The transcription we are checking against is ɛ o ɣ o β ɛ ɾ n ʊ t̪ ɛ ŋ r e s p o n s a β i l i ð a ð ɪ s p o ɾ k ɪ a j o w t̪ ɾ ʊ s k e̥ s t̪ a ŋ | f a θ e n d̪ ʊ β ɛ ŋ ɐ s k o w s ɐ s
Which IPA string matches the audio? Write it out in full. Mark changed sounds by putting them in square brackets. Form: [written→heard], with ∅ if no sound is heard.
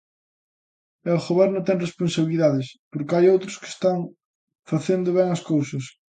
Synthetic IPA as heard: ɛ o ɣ o β ɛ ɾ n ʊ t̪ ɛ ŋ r e s p o n s a β i l i ð a ð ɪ s p o ɾ k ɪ a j o w t̪ ɾ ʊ s k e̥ s t̪ a ŋ | f a θ e n d̪ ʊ β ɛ ŋ ɐ s k o w s ɐ s